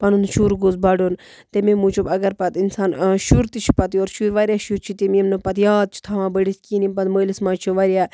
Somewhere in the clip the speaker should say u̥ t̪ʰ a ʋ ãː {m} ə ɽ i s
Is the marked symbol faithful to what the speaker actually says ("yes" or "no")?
no